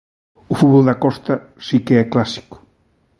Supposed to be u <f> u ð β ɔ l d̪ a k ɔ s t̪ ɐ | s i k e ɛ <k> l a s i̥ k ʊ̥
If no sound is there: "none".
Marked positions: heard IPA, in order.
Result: f, k

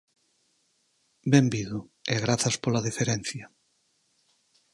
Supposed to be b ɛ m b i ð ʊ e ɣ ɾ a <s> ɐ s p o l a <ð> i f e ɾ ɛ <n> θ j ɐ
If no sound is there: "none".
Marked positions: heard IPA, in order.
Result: θ, ð, n

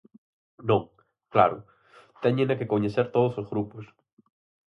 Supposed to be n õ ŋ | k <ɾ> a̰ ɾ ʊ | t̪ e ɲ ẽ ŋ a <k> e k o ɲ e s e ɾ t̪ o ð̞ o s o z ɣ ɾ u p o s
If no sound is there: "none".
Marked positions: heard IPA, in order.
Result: l, k

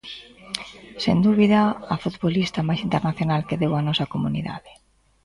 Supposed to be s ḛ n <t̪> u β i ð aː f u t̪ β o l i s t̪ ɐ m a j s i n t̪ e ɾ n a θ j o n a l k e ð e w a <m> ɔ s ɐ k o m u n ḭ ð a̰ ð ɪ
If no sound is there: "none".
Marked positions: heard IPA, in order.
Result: d̪, n

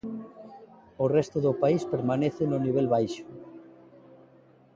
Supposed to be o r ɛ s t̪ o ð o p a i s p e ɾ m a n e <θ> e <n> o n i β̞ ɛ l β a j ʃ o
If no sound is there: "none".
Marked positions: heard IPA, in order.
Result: θ, n

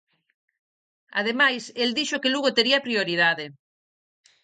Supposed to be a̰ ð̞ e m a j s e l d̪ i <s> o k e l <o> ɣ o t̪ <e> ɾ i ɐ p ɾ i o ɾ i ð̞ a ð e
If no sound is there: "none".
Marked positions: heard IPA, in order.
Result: ʃ, u, e

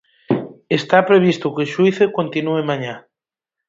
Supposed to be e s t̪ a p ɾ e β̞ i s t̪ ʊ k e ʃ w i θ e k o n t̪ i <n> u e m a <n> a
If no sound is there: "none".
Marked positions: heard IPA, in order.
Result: n, ɲ

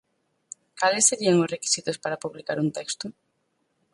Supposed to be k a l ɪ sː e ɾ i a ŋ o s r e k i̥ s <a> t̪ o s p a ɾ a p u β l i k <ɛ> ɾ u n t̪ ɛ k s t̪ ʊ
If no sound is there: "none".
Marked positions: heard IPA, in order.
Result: i, a

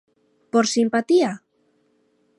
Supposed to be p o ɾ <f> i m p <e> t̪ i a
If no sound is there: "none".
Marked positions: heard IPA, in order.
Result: s, a

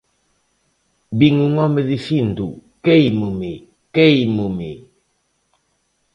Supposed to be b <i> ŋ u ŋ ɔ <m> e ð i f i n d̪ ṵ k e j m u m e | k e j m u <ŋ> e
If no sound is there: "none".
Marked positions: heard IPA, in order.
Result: i, m, m

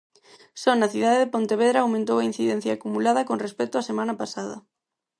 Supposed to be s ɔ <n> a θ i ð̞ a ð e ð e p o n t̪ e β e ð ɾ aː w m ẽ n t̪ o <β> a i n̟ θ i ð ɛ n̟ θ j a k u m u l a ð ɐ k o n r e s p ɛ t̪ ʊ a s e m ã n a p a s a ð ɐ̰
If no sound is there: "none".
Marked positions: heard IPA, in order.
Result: n, w

